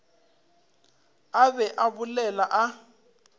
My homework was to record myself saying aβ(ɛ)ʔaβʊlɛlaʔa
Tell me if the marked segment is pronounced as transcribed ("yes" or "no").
yes